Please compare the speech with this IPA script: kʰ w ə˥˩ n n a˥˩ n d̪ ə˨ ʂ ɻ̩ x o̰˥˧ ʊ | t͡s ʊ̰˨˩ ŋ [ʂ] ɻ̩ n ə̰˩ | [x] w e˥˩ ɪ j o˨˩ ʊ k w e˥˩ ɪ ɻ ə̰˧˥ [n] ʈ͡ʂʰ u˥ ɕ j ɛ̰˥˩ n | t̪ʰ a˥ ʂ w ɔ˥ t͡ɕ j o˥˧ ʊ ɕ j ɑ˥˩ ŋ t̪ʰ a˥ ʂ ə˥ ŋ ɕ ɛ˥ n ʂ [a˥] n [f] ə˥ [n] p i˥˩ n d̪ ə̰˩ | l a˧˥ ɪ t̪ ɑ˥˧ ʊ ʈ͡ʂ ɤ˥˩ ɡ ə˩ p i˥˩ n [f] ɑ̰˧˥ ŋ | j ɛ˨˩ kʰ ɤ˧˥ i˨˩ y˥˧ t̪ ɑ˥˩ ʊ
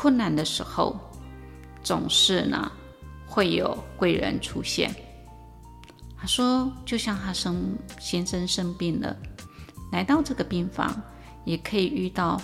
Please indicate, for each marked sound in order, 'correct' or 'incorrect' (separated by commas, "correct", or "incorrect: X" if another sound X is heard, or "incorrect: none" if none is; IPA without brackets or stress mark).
correct, correct, correct, incorrect: ə˥, incorrect: ʂ, incorrect: ŋ, correct